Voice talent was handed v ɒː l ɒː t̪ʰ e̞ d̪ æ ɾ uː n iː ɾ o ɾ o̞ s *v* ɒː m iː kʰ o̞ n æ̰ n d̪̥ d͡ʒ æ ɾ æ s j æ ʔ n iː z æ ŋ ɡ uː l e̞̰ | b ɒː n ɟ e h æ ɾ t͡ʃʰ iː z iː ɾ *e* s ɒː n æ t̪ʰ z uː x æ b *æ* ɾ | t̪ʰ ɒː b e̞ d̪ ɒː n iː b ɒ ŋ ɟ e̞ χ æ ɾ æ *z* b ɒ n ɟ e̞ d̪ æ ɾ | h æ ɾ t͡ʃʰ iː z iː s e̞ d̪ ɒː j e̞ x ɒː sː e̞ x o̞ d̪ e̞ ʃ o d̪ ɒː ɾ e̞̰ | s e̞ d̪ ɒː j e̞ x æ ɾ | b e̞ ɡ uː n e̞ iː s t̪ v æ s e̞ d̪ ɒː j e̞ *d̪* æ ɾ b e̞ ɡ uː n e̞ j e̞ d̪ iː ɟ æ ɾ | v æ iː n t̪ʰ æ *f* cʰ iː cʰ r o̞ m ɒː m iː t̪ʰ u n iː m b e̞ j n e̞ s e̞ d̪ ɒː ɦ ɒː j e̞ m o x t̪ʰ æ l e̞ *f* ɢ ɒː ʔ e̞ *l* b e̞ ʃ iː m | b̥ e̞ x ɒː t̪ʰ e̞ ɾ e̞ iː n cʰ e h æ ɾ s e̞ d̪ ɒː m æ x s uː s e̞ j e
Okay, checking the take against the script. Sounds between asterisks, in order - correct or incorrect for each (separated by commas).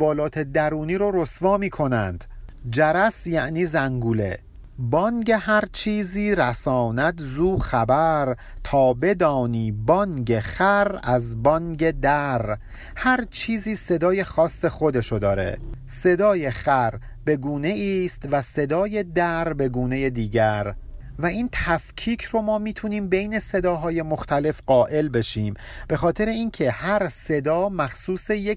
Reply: correct, incorrect, correct, correct, correct, correct, correct, correct